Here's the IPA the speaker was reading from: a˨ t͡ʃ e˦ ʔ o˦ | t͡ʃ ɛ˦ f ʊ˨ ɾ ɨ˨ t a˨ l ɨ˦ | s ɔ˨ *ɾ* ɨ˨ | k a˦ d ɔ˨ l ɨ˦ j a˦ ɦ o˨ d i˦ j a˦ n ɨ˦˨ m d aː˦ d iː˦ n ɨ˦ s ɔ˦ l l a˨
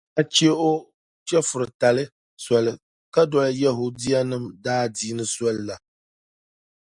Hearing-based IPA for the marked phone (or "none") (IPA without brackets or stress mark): l